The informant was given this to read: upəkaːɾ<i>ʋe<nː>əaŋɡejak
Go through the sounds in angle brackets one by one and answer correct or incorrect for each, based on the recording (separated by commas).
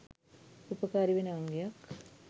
correct, incorrect